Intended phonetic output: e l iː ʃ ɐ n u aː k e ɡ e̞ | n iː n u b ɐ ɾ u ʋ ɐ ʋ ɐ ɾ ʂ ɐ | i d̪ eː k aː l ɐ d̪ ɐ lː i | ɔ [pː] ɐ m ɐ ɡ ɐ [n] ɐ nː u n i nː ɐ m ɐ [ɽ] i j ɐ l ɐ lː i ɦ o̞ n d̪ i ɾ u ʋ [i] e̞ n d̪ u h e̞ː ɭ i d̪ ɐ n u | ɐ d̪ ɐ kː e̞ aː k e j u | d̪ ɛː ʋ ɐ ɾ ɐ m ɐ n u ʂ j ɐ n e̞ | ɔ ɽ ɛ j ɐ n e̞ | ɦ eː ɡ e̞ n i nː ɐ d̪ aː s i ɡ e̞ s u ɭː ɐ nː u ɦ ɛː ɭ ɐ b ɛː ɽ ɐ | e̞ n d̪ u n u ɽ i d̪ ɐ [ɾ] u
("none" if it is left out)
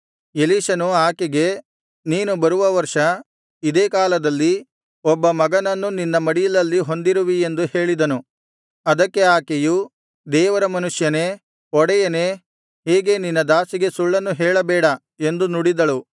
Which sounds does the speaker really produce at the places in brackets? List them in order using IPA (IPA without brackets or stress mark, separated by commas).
bː, n, ɽ, i, ɭ